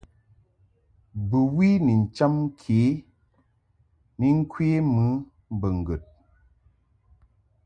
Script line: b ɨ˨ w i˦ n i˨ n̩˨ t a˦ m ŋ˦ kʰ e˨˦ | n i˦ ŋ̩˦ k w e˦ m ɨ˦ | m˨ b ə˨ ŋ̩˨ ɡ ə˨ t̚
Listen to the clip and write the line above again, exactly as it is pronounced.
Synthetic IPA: b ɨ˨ w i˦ n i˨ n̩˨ t͡ʃ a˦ m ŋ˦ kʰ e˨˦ | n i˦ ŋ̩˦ k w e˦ m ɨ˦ | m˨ b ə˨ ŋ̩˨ ɡ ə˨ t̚